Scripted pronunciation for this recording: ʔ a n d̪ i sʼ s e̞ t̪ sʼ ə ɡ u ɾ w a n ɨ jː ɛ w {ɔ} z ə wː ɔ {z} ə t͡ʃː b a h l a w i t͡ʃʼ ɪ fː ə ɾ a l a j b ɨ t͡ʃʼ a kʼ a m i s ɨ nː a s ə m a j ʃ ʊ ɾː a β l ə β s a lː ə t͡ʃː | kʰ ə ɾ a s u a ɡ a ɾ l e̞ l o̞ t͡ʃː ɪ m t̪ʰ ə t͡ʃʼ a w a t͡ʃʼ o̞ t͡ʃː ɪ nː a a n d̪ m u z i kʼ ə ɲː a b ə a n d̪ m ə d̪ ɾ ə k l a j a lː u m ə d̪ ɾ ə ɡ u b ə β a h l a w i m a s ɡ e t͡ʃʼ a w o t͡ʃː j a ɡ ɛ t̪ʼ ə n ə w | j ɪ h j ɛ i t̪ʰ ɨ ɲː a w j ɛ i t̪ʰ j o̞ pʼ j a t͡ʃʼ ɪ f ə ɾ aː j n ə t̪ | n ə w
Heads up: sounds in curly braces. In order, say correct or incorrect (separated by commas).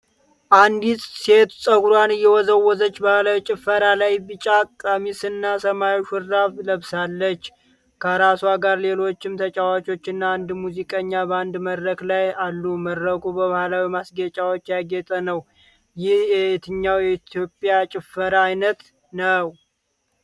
correct, correct